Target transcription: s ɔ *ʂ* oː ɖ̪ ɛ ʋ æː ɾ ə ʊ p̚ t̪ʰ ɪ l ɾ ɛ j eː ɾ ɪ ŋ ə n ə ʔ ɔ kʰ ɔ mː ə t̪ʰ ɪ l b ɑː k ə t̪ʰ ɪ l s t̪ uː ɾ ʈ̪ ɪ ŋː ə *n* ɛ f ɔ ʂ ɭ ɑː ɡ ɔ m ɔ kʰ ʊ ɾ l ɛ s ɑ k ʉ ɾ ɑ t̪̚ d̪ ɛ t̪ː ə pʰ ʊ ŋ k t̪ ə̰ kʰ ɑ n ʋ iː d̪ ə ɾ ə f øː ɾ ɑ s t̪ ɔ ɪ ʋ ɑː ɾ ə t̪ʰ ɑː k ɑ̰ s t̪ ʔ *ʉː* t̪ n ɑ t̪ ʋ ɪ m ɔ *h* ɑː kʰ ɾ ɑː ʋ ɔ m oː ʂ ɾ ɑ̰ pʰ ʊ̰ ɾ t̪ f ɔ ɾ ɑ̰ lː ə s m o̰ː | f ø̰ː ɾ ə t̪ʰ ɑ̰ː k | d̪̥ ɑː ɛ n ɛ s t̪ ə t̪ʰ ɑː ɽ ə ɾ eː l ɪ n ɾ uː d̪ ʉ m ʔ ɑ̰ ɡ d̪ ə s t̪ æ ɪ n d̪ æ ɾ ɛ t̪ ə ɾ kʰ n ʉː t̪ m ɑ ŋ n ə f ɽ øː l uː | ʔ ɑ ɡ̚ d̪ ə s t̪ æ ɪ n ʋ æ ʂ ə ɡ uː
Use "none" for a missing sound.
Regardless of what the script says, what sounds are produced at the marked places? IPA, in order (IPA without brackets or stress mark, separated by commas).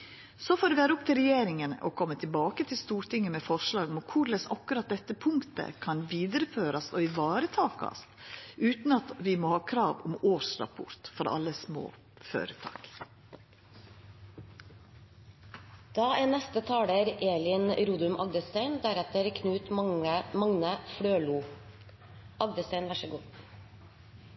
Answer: f, m, ʉː, h